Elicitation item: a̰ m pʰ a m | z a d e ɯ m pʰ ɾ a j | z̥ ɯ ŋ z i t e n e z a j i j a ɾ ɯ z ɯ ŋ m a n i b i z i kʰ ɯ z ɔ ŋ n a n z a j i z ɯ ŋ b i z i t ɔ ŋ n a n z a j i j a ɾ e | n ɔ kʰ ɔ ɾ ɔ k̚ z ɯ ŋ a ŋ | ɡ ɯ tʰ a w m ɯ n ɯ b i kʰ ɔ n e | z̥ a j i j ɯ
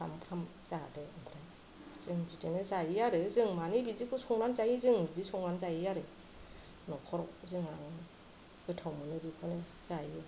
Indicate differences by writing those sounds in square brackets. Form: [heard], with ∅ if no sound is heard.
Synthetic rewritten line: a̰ m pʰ a m | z a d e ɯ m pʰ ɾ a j | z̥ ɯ ŋ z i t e n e z a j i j a ɾ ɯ z ɯ ŋ m a n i b i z i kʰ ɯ [s] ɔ ŋ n a n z a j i z ɯ ŋ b i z i [s] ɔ ŋ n a n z a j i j a ɾ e | n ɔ kʰ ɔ ɾ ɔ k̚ z ɯ ŋ a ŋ | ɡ ɯ tʰ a w m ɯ n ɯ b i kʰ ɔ n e | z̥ a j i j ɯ